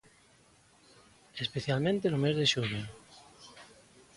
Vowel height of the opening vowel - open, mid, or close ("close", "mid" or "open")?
mid